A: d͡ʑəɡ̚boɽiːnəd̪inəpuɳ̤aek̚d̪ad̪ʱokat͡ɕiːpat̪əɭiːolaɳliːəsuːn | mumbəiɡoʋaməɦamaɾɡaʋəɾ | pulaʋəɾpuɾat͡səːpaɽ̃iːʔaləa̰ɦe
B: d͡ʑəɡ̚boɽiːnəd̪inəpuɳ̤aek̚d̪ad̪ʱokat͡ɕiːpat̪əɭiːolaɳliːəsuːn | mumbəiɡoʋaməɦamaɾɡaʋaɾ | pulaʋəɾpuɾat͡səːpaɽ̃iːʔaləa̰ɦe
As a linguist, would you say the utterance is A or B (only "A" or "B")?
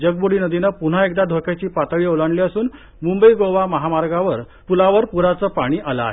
A